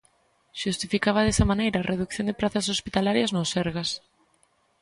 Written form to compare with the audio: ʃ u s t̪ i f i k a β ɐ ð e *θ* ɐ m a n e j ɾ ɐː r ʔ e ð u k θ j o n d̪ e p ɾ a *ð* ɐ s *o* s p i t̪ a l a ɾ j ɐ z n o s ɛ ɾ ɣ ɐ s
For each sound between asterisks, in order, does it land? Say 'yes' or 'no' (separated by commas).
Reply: no, no, yes